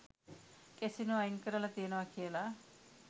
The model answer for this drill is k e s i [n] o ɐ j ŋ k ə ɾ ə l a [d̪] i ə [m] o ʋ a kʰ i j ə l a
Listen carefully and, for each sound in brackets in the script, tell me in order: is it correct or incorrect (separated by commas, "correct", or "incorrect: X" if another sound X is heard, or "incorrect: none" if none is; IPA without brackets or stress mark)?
correct, incorrect: t̪, incorrect: n